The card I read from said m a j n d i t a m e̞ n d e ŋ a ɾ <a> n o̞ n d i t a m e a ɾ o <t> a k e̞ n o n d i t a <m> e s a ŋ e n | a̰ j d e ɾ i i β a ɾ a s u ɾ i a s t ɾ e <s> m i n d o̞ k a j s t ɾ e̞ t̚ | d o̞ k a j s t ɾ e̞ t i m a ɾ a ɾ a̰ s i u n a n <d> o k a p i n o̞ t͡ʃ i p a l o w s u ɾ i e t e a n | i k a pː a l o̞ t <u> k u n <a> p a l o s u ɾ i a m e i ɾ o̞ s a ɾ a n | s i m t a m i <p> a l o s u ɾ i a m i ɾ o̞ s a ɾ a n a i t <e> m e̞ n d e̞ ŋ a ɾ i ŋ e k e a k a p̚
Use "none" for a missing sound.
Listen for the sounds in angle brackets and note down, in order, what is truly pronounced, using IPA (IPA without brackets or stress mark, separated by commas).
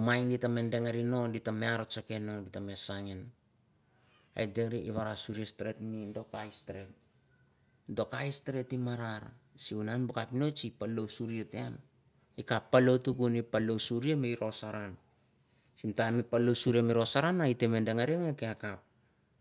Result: i, t͡ʃ, m, t, b, u, i, p, e